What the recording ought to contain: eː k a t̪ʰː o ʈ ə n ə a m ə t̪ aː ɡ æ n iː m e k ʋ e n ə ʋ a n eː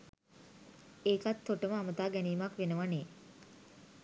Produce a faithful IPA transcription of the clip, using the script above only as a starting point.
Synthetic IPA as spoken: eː k a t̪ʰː o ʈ ə m ə a m ə t̪ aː ɡ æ n iː m a k ʋ e n ə ʋ a n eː